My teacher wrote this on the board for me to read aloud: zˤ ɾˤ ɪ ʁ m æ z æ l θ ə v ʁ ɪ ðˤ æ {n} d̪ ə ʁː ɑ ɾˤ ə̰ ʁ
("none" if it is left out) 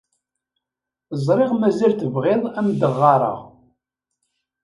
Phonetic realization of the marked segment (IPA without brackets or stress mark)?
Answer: m